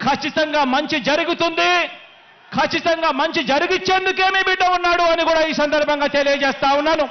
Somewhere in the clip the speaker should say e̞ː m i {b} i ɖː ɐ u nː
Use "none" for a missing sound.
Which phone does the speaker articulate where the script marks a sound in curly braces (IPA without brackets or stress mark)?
b